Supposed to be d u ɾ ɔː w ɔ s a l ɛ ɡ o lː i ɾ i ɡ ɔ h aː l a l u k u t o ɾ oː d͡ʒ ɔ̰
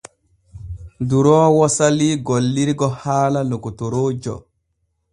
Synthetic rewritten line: d u ɾ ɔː w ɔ s a l i ɡ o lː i ɾ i ɡ ɔ h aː l a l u k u t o ɾ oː d͡ʒ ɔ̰